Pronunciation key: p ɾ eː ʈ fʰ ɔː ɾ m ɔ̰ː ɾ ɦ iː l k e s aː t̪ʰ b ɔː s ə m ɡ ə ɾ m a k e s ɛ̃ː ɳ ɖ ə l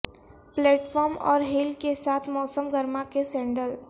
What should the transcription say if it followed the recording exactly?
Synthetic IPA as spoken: p l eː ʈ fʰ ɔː ɾ m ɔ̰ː ɾ ɦ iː l k e s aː t̪ʰ m ɔː s ə m ɡ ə ɾ m a k e s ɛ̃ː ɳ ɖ ə l